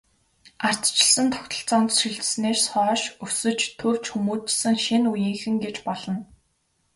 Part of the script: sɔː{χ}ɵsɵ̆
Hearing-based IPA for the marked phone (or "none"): ʃ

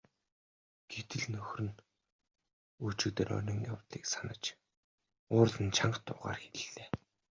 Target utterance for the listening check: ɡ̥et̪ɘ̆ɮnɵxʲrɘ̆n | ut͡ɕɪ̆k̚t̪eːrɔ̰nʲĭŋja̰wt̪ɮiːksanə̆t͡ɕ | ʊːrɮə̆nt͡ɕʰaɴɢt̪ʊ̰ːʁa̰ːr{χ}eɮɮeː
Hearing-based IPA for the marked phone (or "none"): x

